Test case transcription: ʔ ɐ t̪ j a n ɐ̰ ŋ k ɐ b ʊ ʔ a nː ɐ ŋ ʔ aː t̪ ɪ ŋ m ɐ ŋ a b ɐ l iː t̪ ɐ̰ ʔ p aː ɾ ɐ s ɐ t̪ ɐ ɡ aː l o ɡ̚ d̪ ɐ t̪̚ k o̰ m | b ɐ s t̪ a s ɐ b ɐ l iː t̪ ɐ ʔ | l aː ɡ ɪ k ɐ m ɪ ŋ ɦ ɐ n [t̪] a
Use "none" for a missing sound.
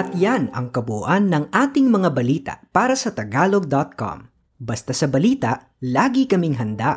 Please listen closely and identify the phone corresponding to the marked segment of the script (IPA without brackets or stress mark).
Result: d̪